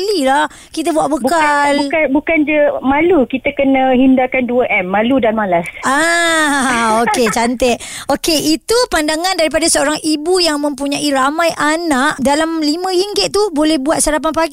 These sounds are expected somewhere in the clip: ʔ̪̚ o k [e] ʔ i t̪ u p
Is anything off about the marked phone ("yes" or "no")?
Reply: no